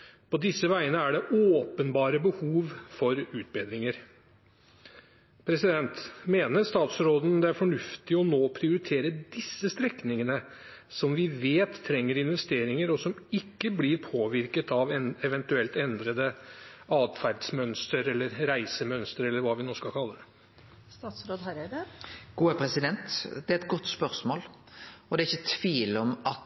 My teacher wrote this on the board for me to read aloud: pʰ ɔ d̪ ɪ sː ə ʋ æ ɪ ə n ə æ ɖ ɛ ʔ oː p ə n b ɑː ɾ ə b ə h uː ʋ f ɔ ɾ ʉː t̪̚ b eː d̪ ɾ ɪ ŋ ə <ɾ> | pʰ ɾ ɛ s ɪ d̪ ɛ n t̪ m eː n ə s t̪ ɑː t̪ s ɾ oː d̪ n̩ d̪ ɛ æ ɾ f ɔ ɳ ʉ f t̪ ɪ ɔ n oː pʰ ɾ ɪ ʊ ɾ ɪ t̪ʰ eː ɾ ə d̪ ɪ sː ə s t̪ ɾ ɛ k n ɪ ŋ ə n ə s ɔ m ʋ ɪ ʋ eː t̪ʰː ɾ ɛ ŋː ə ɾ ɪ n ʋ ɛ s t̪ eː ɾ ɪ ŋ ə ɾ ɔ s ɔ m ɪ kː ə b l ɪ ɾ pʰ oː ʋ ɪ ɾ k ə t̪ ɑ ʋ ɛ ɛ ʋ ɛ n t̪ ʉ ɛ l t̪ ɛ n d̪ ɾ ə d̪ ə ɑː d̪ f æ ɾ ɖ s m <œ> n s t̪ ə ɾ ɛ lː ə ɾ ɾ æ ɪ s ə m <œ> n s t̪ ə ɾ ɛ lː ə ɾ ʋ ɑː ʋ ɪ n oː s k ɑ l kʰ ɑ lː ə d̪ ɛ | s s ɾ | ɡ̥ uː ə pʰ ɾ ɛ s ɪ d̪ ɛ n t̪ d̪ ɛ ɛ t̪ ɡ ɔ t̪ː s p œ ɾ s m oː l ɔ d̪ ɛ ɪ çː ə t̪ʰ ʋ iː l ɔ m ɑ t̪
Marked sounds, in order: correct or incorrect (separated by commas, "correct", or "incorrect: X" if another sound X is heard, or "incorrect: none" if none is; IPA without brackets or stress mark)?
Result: correct, correct, correct